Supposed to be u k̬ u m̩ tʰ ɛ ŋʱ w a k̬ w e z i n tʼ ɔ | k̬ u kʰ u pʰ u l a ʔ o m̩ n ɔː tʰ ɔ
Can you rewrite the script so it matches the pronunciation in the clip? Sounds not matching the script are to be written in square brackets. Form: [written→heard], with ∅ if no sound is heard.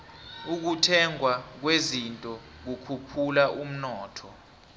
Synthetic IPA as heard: u k̬ u [m̩→∅] tʰ ɛ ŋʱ w a k̬ w e z i n tʼ ɔ | k̬ u kʰ u pʰ u l a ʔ [o→u] m̩ n ɔː tʰ ɔ